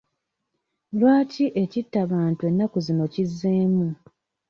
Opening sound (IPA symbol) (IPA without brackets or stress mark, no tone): l